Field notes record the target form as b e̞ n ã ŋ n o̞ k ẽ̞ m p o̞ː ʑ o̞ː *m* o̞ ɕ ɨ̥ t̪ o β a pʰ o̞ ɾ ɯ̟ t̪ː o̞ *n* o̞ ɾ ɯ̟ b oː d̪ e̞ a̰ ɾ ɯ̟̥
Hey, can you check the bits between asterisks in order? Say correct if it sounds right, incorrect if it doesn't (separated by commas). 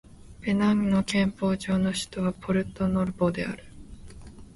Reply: incorrect, correct